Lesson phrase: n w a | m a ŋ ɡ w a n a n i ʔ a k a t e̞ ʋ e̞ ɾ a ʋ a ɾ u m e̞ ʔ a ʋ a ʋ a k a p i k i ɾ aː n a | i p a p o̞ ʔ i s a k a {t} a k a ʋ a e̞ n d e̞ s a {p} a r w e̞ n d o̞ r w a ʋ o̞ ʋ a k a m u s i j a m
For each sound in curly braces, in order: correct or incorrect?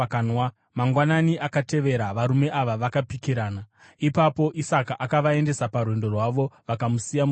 incorrect: ʔ, correct

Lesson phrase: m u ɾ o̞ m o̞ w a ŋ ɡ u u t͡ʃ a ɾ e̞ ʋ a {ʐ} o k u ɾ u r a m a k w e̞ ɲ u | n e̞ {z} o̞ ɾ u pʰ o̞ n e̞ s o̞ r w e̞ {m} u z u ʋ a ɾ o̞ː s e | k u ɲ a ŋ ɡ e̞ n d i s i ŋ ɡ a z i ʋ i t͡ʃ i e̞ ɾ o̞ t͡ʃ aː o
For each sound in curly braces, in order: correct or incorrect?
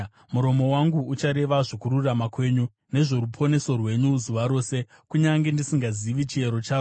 correct, incorrect: ʐ, incorrect: ɲ

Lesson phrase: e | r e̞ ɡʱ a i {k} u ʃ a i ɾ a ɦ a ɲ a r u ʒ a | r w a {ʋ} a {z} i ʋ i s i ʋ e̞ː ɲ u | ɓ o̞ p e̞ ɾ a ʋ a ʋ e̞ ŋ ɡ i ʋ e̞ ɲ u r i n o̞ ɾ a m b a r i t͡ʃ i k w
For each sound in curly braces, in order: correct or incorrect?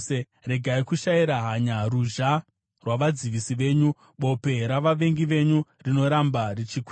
correct, correct, incorrect: d͡z

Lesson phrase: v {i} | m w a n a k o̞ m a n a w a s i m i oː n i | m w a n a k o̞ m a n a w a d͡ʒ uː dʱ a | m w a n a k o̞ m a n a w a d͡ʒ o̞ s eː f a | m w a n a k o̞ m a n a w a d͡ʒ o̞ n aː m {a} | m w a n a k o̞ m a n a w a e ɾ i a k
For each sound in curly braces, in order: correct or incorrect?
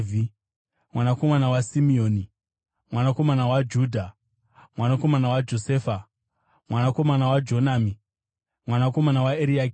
correct, incorrect: i

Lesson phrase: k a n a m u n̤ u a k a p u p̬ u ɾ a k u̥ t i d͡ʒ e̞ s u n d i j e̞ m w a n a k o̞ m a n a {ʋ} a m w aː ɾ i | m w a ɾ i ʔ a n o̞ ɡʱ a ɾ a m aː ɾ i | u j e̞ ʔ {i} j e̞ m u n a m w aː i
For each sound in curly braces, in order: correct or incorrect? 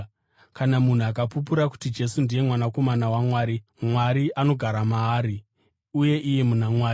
incorrect: w, correct

